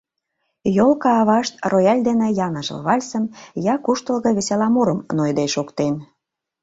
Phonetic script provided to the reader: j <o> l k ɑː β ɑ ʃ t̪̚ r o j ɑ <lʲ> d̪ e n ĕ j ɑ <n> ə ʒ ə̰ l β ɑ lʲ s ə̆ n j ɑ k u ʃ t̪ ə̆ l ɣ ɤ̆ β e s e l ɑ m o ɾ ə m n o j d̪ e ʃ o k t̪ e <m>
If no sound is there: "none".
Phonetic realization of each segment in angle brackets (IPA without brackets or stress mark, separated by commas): o, lʲ, n, n